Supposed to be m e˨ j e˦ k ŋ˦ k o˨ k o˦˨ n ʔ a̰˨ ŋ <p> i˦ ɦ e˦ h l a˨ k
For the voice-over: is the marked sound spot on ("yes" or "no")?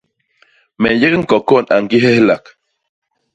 no